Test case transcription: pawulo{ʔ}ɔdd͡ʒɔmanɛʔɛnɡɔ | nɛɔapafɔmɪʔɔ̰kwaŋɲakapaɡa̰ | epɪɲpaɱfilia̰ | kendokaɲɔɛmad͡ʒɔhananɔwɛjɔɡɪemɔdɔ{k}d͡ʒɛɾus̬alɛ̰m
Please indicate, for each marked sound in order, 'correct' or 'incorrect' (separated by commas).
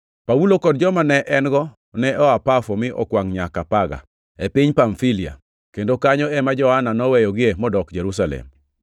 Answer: incorrect, correct